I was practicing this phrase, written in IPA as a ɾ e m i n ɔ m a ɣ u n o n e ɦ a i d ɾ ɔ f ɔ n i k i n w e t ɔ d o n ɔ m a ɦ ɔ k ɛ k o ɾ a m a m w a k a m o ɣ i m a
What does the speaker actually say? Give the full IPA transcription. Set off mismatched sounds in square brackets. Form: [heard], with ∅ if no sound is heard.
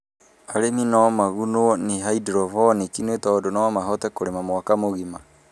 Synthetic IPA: a ɾ e m i n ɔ m a ɣ u n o n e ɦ a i d ɾ ɔ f ɔ n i k i n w e t ɔ d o n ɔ m a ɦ ɔ [t] ɛ k o ɾ [e] m a m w a k a m o ɣ i m a